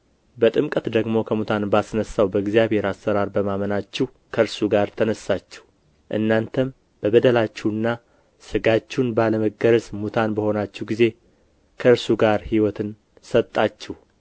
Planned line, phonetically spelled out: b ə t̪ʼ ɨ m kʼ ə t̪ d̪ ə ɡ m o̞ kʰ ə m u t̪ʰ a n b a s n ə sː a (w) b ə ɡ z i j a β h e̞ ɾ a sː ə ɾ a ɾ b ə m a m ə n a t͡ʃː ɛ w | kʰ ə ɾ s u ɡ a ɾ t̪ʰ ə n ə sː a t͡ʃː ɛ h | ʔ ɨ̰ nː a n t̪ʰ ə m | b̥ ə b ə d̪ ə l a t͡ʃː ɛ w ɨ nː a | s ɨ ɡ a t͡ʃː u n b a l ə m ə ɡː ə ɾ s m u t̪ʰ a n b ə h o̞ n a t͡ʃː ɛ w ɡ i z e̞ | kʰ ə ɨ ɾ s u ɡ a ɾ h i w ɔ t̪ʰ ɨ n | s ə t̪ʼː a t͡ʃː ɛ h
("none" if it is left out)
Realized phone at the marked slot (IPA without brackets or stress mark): w